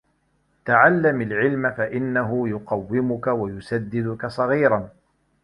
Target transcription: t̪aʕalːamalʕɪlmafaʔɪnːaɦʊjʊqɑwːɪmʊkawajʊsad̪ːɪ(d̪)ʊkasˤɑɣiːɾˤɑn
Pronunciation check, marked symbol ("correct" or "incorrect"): correct